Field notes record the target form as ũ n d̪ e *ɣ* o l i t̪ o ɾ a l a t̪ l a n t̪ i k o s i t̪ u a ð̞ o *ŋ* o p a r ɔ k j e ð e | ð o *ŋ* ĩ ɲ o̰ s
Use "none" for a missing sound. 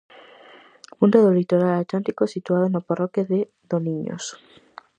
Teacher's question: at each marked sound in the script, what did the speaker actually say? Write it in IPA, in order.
ð, n, n

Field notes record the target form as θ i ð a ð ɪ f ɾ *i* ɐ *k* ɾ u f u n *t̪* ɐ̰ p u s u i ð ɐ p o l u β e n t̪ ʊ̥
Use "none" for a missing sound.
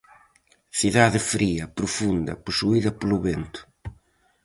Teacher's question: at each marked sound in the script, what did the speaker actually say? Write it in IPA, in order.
i, p, d̪

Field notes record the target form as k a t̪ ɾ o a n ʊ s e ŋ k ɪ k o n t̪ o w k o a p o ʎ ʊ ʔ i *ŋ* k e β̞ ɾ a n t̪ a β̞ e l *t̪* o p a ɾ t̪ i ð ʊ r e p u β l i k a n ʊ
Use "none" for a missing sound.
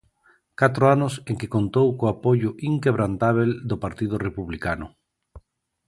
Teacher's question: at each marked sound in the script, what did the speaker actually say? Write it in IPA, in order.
ŋ, d̪

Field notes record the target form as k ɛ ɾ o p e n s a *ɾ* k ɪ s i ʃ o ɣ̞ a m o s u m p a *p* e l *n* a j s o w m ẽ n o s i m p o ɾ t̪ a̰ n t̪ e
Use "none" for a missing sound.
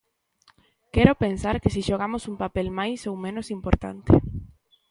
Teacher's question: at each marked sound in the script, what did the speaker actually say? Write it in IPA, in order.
ɾ, p, m

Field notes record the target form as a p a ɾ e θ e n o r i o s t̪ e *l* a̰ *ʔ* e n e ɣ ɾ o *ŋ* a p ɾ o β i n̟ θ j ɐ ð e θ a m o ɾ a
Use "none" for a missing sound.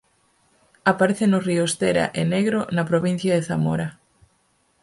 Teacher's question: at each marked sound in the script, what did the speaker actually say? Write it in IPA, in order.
ɾ, ʔ, n

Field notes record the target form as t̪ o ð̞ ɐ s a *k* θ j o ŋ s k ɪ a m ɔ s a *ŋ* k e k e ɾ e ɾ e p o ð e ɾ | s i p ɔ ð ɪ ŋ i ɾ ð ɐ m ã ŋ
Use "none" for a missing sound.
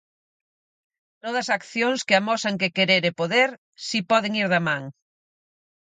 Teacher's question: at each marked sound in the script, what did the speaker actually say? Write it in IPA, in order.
k, ŋ

